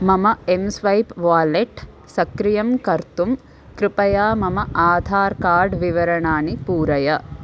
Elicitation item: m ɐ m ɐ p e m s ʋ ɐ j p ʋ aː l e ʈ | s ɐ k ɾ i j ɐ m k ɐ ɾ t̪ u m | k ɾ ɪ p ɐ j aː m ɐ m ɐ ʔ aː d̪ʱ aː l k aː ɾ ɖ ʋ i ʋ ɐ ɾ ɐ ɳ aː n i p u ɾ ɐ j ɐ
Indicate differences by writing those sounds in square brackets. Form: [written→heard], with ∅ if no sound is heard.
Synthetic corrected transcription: m ɐ m ɐ [p→∅] e m s ʋ ɐ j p ʋ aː l e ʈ | s ɐ k ɾ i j ɐ m k ɐ ɾ t̪ u m | k ɾ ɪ p ɐ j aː m ɐ m ɐ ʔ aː d̪ʱ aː [l→ɾ] k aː ɾ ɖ ʋ i ʋ ɐ ɾ ɐ ɳ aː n i p [u→uː] ɾ ɐ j ɐ